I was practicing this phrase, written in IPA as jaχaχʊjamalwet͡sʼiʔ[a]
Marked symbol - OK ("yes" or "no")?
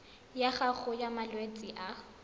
yes